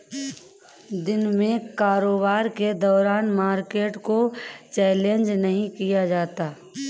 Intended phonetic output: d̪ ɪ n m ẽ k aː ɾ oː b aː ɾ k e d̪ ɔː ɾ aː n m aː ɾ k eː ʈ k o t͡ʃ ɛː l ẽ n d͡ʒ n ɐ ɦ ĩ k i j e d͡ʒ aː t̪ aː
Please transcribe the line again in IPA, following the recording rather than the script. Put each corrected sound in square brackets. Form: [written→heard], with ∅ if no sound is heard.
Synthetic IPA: d̪ ɪ n m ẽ k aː ɾ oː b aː ɾ k e d̪ ɔː ɾ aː n m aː ɾ k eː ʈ k o t͡ʃ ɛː l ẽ n d͡ʒ n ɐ ɦ ĩ k i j [e→a] d͡ʒ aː t̪ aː